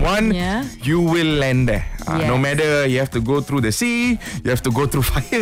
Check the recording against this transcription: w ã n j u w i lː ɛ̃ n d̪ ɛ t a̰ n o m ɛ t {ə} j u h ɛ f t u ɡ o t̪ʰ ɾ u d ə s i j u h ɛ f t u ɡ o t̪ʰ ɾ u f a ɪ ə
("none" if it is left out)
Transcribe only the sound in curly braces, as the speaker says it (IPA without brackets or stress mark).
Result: ə